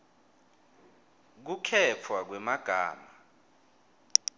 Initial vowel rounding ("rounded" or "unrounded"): rounded